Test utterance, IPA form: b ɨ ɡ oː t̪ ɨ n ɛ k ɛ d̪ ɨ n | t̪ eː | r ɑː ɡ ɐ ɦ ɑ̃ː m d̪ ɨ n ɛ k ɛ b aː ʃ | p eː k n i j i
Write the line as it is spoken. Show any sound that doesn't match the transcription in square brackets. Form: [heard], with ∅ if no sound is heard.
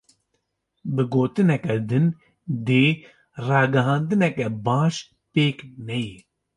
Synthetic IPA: b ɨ ɡ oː t̪ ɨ n ɛ k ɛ d̪ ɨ n | [d̪] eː | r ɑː ɡ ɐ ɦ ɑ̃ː [n] d̪ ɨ n ɛ k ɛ b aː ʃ | p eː k n [ɛ] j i